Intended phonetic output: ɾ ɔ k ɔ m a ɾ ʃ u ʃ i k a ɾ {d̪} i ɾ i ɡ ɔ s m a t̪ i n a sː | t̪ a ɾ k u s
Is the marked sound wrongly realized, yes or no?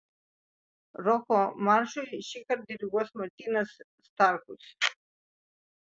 no